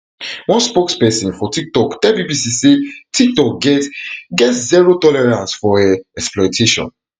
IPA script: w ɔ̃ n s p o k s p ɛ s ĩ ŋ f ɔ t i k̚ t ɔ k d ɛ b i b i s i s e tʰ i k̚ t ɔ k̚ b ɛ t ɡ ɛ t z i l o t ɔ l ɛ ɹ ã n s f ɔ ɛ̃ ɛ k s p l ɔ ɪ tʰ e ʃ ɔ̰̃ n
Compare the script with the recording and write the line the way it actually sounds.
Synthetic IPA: w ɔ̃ n s p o k s p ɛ s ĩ n f ɔ t i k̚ t ɔ k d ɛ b i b i s i s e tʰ i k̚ t ɔ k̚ ɡ ɛ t ɡ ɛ t z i ɹ o t ɔ l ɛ ɹ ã n s f ɔ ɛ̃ ɛ k s p l ɔ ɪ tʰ e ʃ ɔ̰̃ n